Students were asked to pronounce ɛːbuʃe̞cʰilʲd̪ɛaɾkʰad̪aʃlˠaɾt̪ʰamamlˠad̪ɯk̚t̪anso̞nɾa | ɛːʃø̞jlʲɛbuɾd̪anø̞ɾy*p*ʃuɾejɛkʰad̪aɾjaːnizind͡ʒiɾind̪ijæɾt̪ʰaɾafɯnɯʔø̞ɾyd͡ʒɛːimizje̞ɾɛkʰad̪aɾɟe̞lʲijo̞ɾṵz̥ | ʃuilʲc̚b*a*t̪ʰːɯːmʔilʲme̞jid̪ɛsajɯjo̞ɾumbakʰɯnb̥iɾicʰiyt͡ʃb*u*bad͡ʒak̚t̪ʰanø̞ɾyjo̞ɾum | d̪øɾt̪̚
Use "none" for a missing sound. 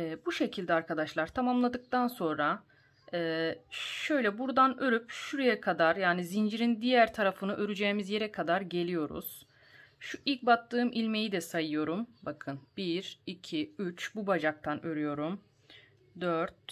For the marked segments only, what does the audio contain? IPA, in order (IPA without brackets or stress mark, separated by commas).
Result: p, a, u